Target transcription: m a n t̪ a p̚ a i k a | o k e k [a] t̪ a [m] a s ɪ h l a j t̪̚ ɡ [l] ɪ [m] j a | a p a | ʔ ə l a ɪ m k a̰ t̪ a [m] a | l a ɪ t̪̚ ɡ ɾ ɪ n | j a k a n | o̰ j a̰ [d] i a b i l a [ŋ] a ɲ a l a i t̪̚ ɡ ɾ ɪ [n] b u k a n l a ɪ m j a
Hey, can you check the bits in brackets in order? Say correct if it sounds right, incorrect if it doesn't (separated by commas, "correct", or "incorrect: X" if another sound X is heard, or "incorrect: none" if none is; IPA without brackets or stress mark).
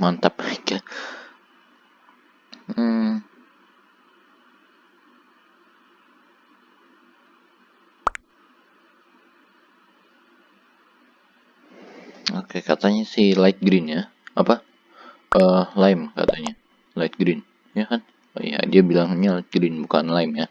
correct, incorrect: ɲ, incorrect: ɾ, incorrect: n, incorrect: ɲ, correct, correct, correct